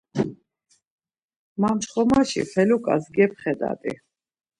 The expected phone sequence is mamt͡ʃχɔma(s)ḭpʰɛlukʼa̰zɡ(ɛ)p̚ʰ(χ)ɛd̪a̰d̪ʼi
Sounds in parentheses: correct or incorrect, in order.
incorrect: ʃ, correct, correct

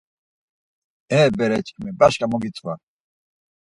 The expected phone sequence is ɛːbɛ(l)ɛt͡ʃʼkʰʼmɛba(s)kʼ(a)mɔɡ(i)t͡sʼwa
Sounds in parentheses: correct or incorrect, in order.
incorrect: ɾ, incorrect: ʃ, correct, correct

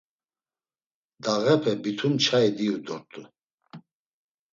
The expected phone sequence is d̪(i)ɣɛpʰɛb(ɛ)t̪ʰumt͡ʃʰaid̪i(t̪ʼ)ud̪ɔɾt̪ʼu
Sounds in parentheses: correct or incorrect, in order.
incorrect: a, incorrect: i, incorrect: none

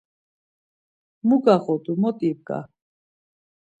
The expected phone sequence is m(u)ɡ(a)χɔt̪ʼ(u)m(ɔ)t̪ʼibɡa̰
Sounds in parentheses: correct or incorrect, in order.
correct, correct, correct, correct

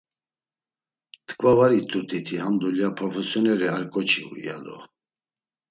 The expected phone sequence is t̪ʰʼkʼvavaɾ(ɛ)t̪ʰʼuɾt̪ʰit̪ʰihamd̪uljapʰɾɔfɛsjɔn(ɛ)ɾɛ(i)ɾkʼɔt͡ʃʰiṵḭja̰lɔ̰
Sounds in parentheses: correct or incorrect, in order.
incorrect: i, correct, incorrect: a

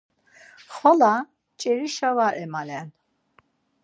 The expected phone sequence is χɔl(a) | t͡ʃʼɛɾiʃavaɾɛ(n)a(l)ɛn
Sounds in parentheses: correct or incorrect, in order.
correct, incorrect: m, correct

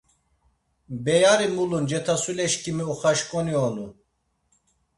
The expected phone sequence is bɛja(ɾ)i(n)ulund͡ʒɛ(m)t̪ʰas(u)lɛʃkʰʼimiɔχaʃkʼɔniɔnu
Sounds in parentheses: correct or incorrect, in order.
correct, incorrect: m, incorrect: none, correct

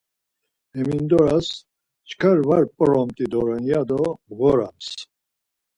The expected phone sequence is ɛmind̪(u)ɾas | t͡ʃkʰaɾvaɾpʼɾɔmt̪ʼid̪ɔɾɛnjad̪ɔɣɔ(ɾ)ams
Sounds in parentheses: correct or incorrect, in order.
incorrect: ɔ, correct

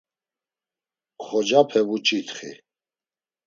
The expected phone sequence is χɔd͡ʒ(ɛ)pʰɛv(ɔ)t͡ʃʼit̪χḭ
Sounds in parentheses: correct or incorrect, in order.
incorrect: a, incorrect: u

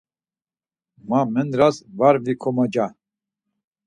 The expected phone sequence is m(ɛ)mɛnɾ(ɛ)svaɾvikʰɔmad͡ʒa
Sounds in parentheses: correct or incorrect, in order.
incorrect: a, incorrect: a

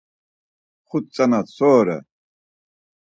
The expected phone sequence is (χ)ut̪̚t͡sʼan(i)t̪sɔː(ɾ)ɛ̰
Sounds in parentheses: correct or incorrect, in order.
correct, incorrect: a, correct

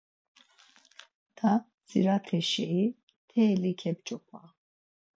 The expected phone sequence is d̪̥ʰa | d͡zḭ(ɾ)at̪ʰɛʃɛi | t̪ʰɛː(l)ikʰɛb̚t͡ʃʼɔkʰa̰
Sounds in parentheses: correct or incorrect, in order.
correct, correct

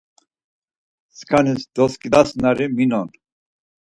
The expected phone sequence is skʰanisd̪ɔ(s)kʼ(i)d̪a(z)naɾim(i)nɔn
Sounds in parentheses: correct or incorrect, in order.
correct, correct, incorrect: s, correct

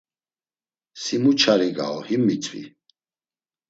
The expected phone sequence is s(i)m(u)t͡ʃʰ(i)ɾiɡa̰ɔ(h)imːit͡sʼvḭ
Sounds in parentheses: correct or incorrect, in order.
correct, correct, incorrect: a, correct

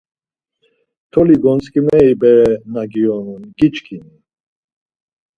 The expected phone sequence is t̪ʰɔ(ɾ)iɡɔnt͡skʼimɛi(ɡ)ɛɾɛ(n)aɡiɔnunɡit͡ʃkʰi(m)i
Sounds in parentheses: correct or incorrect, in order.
incorrect: l, incorrect: b, correct, incorrect: n

